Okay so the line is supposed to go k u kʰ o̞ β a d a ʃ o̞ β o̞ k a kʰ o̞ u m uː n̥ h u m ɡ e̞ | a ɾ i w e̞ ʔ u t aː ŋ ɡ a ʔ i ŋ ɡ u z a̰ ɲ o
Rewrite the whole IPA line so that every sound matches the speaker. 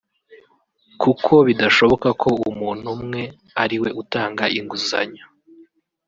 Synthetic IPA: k u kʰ o̞ β i d a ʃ o̞ β o̞ k a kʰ o̞ u m uː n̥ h u m ŋ e̞ | a ɾ i w e̞ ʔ u t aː ŋ ɡ a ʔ i ŋ ɡ u z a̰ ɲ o